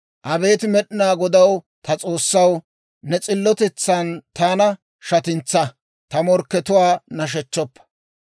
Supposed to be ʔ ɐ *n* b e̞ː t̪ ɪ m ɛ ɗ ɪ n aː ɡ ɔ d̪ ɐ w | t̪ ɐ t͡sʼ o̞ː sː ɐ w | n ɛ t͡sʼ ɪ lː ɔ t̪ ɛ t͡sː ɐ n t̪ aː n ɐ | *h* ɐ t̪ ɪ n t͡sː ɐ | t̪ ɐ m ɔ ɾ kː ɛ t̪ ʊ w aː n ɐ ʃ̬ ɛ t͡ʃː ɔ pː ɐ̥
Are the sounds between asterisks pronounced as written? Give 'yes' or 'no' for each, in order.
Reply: no, no

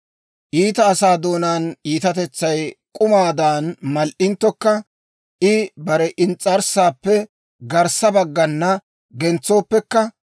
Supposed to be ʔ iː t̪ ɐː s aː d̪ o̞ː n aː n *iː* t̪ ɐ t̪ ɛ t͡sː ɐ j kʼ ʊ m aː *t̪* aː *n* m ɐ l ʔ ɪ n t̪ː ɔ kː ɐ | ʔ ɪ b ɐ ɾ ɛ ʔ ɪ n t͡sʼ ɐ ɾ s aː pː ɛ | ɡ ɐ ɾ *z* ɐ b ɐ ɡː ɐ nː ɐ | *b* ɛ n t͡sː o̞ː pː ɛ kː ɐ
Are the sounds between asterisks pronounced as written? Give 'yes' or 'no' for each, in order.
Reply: yes, no, yes, no, no

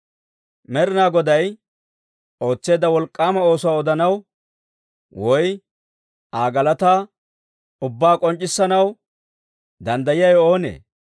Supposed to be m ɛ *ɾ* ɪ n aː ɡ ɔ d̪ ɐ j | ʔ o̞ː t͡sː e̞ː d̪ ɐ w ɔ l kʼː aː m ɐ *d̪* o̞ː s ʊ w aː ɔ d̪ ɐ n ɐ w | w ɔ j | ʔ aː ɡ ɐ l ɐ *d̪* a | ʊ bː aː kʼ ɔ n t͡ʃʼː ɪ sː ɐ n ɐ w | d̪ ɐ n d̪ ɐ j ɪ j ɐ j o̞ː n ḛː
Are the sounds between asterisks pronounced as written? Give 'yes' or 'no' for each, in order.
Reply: yes, no, no

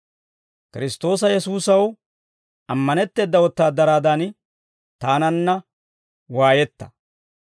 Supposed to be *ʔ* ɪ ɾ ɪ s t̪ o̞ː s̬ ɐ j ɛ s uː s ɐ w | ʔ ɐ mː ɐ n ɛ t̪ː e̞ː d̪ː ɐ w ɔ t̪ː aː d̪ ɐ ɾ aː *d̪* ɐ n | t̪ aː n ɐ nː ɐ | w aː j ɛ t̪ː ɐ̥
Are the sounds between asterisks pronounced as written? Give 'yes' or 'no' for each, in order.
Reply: no, yes

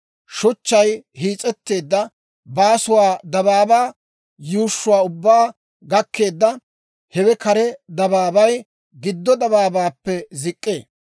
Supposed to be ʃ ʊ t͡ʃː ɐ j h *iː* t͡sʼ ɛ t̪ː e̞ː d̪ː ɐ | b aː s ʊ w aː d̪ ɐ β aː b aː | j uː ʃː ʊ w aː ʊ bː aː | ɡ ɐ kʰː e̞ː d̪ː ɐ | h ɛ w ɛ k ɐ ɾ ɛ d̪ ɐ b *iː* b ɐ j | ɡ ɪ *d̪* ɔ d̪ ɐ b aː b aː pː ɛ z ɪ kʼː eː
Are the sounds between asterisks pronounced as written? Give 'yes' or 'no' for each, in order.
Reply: yes, no, no

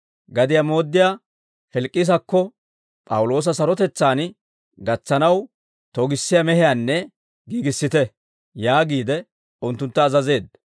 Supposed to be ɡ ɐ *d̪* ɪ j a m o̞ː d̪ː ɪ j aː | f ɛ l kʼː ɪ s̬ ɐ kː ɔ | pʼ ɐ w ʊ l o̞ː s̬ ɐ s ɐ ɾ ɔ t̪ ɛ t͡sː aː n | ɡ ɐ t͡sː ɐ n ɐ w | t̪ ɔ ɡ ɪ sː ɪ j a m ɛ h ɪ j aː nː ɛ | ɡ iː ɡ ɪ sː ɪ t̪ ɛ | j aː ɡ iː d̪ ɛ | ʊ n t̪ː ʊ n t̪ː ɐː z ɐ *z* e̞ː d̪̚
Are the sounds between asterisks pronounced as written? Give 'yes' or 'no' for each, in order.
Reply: yes, yes

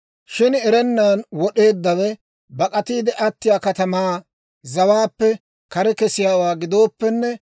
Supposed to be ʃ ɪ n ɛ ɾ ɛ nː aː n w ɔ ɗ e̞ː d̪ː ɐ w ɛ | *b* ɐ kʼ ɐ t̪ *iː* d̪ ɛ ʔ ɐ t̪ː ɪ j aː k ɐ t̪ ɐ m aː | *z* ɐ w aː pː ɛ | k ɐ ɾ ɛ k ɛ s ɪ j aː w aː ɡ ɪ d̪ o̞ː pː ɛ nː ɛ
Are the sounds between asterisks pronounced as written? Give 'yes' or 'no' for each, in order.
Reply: yes, yes, yes

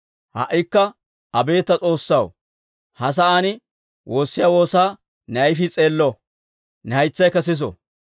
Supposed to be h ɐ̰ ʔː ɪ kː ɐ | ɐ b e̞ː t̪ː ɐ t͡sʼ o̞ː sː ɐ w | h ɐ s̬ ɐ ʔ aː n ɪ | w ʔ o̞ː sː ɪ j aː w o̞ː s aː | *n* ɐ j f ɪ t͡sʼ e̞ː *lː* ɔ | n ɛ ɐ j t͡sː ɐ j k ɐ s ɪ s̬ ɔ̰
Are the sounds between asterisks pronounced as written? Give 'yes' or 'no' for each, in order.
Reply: yes, yes

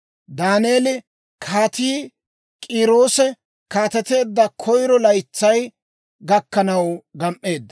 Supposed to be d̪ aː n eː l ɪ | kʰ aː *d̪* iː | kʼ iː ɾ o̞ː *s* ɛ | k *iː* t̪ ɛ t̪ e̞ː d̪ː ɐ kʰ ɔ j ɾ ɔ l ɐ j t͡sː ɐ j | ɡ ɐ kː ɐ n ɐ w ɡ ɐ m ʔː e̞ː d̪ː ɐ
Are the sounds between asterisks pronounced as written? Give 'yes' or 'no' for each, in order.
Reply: no, yes, no

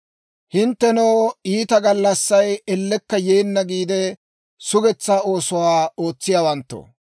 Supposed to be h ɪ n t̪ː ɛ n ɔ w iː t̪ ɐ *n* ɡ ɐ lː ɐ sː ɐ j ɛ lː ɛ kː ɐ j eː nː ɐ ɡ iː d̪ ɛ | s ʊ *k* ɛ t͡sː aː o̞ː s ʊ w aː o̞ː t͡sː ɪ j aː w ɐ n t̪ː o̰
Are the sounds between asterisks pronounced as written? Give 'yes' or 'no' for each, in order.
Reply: no, no

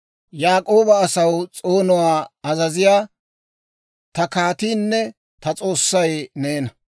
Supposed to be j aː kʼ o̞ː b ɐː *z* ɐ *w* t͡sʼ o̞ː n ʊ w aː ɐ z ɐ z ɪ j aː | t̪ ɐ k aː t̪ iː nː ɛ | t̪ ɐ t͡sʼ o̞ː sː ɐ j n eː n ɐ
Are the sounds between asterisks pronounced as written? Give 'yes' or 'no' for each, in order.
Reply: no, yes

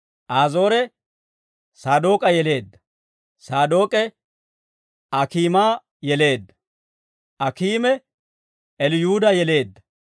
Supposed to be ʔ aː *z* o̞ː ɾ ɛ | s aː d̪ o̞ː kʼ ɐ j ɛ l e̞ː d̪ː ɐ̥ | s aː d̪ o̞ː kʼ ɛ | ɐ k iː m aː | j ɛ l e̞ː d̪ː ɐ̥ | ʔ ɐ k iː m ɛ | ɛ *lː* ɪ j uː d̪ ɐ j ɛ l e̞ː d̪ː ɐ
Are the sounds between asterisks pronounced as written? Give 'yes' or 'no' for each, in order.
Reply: yes, no

